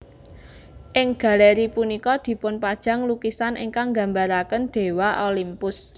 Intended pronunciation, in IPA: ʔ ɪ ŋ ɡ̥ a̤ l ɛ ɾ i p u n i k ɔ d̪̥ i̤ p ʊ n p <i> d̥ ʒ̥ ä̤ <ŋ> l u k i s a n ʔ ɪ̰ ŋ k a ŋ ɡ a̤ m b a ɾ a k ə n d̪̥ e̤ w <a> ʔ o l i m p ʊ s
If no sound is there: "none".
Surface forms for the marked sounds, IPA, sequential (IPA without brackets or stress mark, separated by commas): a, ŋ, a